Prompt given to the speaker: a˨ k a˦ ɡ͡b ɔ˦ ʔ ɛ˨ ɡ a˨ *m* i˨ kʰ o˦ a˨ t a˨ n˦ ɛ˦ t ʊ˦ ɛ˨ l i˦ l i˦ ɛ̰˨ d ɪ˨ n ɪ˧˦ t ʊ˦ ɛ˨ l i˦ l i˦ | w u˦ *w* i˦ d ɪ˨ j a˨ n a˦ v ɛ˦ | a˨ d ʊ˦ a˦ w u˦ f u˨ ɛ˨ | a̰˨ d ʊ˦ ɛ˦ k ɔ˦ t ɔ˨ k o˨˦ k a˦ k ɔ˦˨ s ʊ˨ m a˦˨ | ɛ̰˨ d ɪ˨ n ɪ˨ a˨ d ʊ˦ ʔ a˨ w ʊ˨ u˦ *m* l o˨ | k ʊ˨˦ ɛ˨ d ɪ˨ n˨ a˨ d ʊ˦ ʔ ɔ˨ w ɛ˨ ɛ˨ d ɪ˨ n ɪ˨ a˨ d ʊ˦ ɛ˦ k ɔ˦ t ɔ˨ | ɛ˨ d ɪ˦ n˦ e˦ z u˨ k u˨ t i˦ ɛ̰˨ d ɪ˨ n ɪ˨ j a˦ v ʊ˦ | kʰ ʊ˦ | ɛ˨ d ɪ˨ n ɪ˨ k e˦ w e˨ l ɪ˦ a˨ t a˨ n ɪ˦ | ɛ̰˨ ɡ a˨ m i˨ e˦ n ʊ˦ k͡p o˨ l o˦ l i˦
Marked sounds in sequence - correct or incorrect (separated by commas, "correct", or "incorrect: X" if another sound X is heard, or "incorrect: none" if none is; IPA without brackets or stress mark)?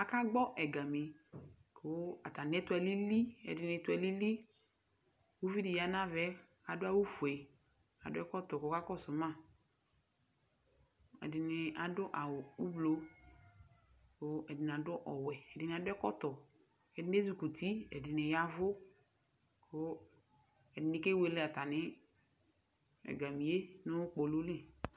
correct, incorrect: v, incorrect: b